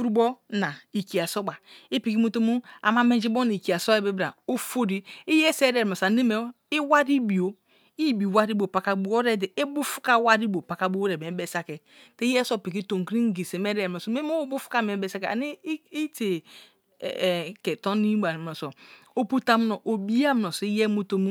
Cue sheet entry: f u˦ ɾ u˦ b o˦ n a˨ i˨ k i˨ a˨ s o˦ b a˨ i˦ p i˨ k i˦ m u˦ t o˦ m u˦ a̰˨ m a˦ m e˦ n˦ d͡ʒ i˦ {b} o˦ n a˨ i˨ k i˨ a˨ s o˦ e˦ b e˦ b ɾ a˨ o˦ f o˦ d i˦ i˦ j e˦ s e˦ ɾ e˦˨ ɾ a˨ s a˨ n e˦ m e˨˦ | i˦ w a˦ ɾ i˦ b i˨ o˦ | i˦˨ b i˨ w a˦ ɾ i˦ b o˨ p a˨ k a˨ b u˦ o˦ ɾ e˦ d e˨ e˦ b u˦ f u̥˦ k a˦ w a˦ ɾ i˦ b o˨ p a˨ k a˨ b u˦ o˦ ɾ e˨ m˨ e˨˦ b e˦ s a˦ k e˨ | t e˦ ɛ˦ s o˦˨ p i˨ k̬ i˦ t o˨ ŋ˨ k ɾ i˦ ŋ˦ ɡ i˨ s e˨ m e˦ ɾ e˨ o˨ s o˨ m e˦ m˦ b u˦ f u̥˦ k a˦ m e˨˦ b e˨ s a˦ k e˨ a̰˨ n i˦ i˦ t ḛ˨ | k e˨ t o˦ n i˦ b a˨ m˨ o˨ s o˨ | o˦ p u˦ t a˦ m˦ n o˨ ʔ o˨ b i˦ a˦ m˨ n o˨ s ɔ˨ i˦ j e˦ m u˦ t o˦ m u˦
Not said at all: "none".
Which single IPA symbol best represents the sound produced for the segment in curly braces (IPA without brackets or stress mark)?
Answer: b